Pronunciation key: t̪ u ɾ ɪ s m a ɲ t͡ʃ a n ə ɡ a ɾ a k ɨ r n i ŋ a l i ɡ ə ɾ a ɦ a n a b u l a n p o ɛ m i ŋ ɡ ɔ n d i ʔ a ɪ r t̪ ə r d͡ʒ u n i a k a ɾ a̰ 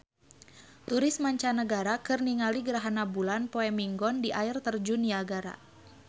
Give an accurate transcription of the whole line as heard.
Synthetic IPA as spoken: t̪ u ɾ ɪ s m a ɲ t͡ʃ a n ə ɡ a ɾ a k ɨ r n i ŋ a l i ɡ ə ɾ a ɦ a n a b u l a n p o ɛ m i ŋ ɡ ɔ n d i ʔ a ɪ r t̪ ə r d͡ʒ u n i a ɡ a ɾ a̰